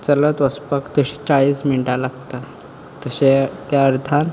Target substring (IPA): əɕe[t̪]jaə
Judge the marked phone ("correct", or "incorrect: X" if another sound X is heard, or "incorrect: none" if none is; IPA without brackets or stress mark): correct